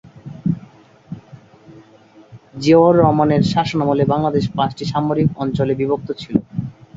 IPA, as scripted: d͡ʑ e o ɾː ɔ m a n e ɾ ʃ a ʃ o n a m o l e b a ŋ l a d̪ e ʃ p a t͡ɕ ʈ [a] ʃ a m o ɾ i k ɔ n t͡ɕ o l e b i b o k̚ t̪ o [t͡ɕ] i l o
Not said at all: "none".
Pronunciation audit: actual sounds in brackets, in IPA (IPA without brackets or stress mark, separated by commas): i, t͡ɕʰ